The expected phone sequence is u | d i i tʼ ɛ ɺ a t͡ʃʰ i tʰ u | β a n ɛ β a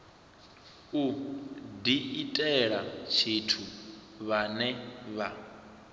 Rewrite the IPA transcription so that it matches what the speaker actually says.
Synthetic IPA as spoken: u | d i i tʼ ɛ ɺ a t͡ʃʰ i tʰ u | β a n ɛ β a